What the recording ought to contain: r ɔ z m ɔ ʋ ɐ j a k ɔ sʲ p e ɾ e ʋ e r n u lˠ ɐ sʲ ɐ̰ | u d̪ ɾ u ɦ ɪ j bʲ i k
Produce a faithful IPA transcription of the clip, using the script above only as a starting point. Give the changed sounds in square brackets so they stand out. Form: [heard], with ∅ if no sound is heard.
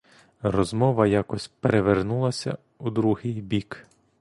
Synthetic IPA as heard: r ɔ z m ɔ ʋ ɐ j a k ɔ sʲ p e ɾ e ʋ e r n u lˠ ɐ sʲ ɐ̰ | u d̪ ɾ u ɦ ɪ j bʲ i k